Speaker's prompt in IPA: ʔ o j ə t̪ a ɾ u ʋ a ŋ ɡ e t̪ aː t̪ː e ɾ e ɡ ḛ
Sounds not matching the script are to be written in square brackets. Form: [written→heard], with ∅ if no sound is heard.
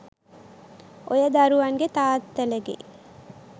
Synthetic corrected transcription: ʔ o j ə [t̪→d̪] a ɾ u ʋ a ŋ ɡ e t̪ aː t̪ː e [ɾ→l] e ɡ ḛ

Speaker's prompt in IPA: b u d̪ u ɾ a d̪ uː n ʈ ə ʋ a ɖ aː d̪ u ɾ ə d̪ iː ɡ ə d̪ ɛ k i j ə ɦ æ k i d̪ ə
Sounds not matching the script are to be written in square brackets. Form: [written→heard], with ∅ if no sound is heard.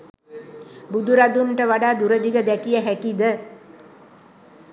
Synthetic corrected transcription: b u d̪ u ɾ a d̪ [uː→u] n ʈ ə ʋ a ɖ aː d̪ u ɾ ə d̪ [iː→i] ɡ ə d̪ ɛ k i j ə ɦ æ k i d̪ ə

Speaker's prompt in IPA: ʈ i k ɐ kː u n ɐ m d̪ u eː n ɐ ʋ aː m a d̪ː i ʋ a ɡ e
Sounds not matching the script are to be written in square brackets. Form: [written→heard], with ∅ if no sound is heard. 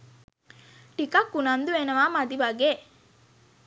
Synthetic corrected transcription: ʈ i k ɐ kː u n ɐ [m→n] d̪ u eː n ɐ ʋ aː m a [d̪ː→d̪] i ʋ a ɡ e

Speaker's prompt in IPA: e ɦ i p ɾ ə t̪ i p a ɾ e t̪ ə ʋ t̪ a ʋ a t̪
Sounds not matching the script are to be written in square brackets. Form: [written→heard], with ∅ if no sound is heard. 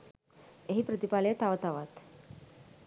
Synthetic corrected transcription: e ɦ i p ɾ ə t̪ i p a [ɾ→l] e t̪ [ə→a] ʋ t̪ a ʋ a t̪

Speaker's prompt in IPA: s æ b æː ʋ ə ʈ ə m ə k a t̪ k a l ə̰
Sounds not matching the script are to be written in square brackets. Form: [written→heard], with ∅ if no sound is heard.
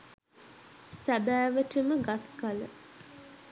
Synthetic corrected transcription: s æ b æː ʋ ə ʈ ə m ə [k→ɡ] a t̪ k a l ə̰

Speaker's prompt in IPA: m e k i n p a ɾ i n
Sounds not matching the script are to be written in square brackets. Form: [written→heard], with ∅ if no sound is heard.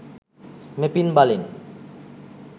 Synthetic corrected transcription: m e [k→p] i n [p→b] a [ɾ→l] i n

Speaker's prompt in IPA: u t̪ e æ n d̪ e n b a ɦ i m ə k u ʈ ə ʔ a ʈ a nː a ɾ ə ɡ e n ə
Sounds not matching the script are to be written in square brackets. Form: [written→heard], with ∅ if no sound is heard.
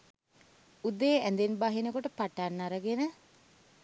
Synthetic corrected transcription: u [t̪→d̪] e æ n d̪ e n b a ɦ i [m→n] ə k [u→o] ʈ ə [ʔ→p] a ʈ a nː a ɾ ə ɡ e n ə

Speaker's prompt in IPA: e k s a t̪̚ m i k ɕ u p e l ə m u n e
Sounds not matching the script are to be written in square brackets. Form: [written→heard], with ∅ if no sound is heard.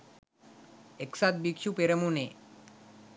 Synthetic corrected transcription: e k s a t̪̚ [m→b] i k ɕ u p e [l→ɾ] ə m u n e

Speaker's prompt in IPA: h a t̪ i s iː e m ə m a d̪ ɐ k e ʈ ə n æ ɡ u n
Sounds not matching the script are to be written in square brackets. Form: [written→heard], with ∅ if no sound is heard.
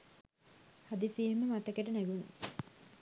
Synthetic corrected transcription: h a [t̪→d̪] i s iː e m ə m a [d̪→t̪] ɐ k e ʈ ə n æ ɡ u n

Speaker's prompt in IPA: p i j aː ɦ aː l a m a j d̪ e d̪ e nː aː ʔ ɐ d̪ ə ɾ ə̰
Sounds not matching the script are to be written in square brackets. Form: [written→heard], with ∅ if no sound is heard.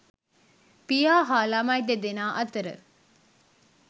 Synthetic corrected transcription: p i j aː ɦ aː l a m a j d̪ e d̪ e [nː→n] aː ʔ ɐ [d̪→t̪] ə ɾ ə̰

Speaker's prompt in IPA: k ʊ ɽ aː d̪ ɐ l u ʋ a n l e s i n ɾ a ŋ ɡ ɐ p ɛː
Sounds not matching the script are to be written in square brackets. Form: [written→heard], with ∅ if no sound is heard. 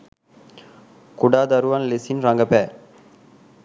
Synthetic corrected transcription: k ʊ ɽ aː d̪ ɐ [l→ɾ] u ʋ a n l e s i n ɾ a ŋ ɡ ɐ p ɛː

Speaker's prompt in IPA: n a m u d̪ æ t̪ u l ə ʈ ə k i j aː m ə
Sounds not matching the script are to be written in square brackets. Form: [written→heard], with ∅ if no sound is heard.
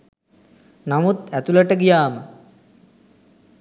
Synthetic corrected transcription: n a m u [d̪→t̪] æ t̪ u l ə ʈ ə [k→ɡ] i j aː m ə

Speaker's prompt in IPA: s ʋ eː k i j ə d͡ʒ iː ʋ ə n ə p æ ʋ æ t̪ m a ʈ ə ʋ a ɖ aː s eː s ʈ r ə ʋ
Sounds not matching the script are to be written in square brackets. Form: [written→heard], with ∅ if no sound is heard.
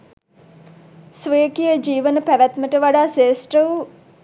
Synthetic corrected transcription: s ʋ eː k i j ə d͡ʒ iː ʋ ə n ə p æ ʋ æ t̪ m [a→ə] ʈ ə ʋ a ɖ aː s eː s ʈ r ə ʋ

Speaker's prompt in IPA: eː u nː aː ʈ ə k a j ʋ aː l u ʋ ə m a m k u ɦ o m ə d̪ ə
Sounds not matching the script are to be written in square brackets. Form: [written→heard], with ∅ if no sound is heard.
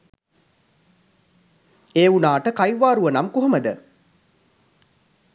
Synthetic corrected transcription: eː u [nː→n] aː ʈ ə k a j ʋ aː [l→ɾ] u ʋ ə [m→n] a m k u ɦ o m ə d̪ ə

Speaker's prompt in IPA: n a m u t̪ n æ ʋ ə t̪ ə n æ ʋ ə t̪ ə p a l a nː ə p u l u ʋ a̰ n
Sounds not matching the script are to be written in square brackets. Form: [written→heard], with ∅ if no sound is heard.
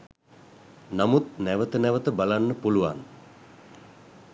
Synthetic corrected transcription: n a m u t̪ n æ ʋ ə t̪ ə n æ ʋ ə t̪ ə [p→b] a l a nː ə p u l u ʋ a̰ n

